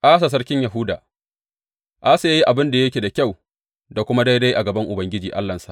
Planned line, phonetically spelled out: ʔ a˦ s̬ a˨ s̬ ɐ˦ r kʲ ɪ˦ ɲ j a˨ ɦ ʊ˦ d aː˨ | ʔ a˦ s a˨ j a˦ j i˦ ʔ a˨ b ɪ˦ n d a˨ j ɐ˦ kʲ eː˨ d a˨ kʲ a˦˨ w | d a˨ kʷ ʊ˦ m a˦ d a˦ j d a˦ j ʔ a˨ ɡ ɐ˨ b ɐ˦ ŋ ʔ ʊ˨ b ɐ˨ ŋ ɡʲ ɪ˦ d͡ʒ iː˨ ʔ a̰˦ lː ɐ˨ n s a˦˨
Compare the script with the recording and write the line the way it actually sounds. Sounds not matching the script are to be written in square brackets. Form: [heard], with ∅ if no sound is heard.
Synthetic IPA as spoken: ʔ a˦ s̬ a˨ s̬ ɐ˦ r kʲ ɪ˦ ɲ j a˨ ɦ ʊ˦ d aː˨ | ʔ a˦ s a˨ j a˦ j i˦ ʔ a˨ b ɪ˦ n d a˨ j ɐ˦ kʲ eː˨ d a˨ kʲ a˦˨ w | d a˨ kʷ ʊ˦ m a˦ d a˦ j d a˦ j ʔ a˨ ɡ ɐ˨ b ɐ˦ ŋ ʔ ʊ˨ b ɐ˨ ŋ ɡʲ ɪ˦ d͡ʒ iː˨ ʔ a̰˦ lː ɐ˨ n s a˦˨

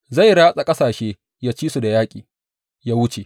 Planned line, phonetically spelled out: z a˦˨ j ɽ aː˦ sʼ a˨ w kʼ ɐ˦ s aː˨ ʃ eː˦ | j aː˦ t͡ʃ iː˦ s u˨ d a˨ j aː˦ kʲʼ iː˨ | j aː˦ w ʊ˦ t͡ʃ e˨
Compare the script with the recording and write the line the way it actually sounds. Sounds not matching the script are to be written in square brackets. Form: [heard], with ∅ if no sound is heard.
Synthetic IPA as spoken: z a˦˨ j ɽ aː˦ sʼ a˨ [∅] kʼ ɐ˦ s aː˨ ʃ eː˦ | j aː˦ t͡ʃ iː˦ s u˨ d a˨ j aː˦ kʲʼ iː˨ | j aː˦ w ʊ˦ t͡ʃ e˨

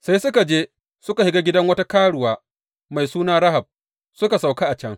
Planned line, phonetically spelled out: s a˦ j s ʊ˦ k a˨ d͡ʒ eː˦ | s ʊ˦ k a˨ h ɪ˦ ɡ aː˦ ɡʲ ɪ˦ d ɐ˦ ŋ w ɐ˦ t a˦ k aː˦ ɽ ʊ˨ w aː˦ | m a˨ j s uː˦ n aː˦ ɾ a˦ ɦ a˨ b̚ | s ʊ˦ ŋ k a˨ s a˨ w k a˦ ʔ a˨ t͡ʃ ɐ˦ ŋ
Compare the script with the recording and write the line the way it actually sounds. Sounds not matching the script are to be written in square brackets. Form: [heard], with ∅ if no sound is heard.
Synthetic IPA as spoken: s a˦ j s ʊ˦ k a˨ d͡ʒ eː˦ | s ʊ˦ k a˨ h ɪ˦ ɡ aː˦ ɡʲ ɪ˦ d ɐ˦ ŋ w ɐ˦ t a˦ k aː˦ ɽ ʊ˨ w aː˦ | m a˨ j s uː˦ n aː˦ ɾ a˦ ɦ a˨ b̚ | s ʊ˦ [∅] k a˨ s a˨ w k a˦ ʔ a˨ t͡ʃ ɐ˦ ŋ

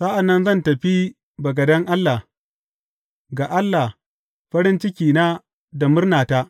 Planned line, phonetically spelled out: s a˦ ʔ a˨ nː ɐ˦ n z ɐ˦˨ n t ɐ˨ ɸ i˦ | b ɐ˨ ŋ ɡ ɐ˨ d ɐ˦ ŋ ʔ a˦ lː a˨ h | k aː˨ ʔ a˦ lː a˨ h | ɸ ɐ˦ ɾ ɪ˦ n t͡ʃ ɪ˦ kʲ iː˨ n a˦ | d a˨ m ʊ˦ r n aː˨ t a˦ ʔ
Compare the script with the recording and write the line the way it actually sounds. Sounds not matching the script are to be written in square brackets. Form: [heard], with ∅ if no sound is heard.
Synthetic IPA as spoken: s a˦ ʔ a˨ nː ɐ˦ n z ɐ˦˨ n t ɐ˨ ɸ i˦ | b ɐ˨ [∅] ɡ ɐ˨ d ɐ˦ ŋ ʔ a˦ lː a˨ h | [ɡ] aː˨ ʔ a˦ lː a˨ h | ɸ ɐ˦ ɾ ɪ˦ n t͡ʃ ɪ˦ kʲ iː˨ n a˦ | d a˨ m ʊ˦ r n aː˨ t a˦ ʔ

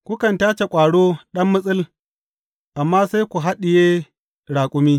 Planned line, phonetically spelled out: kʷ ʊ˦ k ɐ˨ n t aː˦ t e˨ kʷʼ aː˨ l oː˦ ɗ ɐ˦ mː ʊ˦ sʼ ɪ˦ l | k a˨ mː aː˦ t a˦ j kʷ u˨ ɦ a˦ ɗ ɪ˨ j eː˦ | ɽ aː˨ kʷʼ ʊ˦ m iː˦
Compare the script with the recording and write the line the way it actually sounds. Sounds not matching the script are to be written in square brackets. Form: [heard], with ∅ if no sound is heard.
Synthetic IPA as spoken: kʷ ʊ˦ k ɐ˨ n t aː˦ [t͡ʃ] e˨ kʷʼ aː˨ [ɽ] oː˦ ɗ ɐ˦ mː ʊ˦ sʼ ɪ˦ l | [ʔ] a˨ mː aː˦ [s] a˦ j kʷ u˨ ɦ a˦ ɗ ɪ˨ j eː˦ | ɽ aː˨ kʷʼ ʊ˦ m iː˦

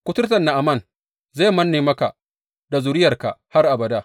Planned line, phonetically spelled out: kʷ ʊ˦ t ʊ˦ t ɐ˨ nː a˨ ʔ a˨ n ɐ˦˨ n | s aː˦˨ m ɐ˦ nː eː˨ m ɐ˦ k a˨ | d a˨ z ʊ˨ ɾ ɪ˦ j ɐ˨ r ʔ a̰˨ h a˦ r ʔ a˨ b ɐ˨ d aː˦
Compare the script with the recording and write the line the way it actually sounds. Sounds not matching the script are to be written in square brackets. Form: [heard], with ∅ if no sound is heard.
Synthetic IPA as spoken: kʷ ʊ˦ t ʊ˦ t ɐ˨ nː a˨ ʔ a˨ [m] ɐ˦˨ n | [z] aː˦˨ m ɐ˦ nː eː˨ m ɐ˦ k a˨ | d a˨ z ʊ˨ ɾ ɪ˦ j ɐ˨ r [k] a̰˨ h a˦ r ʔ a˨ b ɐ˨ d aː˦

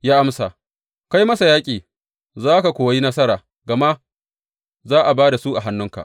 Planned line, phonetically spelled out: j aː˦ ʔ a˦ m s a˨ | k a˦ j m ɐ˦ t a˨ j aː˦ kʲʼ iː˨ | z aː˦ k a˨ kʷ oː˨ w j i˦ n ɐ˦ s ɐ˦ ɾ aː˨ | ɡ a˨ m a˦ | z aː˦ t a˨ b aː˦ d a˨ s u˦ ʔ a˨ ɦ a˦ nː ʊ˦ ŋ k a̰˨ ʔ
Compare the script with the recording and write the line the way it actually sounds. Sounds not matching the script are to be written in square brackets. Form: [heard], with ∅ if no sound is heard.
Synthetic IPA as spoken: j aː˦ ʔ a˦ m s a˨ | k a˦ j m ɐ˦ [s] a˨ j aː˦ kʲʼ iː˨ | z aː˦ k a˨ kʷ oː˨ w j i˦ n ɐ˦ s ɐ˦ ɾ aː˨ | ɡ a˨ m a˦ | z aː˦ [ʔ] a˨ b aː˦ d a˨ s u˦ ʔ a˨ ɦ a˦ nː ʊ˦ ŋ k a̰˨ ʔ

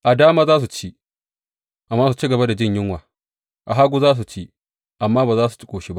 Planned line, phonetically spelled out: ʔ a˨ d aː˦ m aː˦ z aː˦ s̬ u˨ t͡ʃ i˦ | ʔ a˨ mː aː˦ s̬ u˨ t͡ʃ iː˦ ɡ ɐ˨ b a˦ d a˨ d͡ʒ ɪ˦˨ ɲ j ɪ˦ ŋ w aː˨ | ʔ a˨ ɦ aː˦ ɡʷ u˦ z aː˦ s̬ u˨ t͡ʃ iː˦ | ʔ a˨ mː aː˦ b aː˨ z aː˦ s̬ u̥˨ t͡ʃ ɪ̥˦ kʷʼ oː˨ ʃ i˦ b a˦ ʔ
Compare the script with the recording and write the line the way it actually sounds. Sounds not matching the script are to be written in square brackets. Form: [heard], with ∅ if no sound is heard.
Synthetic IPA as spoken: ʔ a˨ d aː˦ m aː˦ z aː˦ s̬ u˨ t͡ʃ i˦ | ʔ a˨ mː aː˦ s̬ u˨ t͡ʃ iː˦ ɡ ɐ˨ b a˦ d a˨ d͡ʒ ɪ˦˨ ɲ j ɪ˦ ŋ w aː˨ | ʔ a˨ ɦ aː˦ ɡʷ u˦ z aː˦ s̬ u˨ t͡ʃ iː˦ | ʔ a˨ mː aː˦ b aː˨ z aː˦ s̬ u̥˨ t͡ʃ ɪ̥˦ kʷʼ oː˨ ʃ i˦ b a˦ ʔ

